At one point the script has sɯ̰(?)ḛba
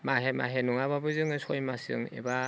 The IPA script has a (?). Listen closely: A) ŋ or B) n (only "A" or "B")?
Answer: A